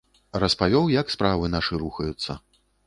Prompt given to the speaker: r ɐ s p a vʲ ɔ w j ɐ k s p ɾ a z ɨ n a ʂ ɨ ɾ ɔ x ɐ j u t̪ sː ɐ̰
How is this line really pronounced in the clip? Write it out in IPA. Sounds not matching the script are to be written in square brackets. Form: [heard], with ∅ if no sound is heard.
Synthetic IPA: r ɐ s p a vʲ ɔ w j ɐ k s p ɾ a [v] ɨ n a ʂ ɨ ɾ [u] x ɐ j u t̪ sː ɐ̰